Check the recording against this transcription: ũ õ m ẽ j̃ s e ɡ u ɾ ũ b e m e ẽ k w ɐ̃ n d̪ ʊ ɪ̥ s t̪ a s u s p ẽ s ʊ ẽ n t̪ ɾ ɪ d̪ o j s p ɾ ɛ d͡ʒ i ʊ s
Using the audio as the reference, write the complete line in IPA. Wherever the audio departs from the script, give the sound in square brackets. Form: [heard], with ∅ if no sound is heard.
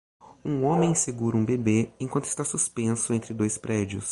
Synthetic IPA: ũ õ m ẽ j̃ s e ɡ u ɾ ũ b e [b] e ẽ k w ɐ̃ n [t̪] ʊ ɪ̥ s t̪ a s u s p ẽ s ʊ ẽ n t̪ ɾ ɪ d̪ o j s p ɾ ɛ d͡ʒ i ʊ s